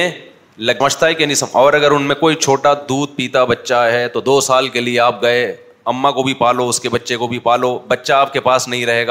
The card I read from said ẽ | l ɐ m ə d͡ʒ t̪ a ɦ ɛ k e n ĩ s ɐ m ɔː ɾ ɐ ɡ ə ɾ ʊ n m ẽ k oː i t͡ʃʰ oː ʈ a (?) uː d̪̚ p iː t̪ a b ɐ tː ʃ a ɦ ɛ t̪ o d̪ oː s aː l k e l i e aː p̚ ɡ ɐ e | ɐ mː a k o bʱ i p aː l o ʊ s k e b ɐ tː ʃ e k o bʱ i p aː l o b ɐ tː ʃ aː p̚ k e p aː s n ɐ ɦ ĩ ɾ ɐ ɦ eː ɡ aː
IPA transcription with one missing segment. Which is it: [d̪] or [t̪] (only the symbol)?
d̪